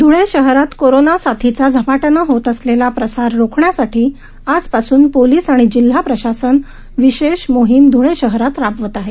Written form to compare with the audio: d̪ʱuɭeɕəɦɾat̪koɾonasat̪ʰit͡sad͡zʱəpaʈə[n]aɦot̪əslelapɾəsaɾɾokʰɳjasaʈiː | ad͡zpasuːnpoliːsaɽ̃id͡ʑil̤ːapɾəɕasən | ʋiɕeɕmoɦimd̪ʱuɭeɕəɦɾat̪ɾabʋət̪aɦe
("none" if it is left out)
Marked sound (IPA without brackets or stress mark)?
n